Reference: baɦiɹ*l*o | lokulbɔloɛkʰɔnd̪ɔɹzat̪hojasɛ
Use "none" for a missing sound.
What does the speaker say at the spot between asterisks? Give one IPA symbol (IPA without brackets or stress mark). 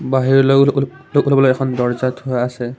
l